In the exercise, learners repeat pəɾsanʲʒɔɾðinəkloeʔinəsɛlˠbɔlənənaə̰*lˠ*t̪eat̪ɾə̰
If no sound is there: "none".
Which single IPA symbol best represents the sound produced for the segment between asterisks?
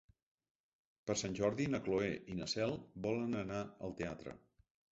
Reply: lˠ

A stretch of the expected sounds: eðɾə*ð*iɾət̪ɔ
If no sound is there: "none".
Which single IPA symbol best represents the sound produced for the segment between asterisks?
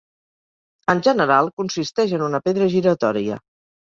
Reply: ʒ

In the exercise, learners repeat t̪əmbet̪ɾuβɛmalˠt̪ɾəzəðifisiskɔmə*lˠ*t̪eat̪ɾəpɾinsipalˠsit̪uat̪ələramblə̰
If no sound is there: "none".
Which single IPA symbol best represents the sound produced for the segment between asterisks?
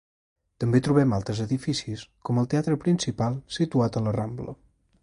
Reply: lˠ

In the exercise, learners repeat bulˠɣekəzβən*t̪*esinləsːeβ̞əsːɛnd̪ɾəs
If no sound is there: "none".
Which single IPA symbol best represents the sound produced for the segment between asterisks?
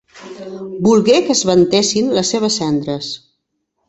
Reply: t̪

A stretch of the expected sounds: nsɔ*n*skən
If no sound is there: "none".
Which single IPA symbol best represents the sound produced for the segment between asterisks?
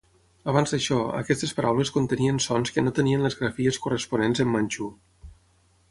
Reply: n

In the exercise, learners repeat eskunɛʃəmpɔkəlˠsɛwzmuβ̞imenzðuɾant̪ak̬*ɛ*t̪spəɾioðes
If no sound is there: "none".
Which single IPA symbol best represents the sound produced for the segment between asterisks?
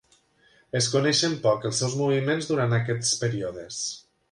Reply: ɛ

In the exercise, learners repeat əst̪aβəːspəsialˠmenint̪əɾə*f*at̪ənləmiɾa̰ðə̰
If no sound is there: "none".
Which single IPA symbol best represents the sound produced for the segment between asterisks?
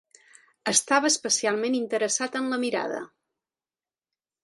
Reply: s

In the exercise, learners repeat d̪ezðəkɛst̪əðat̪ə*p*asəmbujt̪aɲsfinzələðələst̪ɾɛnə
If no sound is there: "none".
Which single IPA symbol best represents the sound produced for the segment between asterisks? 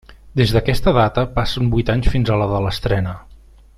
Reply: p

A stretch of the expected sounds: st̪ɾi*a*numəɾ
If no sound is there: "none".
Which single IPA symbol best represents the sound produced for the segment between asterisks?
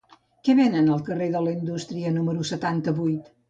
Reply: ə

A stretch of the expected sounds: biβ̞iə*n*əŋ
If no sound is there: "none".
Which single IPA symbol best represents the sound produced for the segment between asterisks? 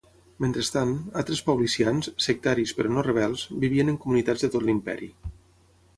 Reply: n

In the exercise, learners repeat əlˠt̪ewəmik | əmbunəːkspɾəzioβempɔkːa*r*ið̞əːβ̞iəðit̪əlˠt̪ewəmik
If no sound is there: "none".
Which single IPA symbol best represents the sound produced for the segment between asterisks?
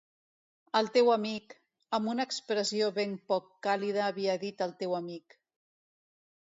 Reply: l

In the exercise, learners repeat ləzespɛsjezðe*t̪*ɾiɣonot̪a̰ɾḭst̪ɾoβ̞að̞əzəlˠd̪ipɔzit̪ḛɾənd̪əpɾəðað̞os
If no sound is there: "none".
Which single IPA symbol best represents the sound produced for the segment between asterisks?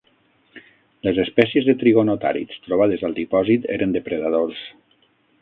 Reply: t̪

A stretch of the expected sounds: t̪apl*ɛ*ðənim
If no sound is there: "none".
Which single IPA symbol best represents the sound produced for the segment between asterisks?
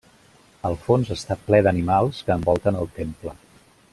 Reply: ɛ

